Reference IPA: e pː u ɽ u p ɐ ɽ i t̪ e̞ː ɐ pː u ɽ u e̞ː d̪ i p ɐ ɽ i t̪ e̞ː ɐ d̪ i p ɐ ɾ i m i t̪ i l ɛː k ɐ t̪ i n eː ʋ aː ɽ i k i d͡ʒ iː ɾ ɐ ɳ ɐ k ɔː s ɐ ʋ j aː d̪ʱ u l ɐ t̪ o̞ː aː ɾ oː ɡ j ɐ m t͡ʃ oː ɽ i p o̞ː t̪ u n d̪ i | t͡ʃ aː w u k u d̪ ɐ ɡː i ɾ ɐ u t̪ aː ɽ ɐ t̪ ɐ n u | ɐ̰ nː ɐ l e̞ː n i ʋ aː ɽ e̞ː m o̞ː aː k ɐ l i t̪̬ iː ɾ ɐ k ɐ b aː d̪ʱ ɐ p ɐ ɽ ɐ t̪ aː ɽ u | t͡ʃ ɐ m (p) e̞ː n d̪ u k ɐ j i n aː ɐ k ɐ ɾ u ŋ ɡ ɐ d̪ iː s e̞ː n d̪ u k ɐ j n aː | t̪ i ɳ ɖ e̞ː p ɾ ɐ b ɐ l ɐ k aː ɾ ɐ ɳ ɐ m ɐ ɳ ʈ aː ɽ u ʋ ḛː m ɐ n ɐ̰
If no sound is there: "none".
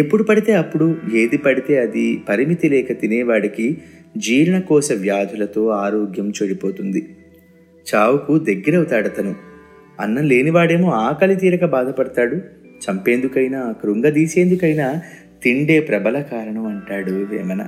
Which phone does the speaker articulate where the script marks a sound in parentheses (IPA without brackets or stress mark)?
p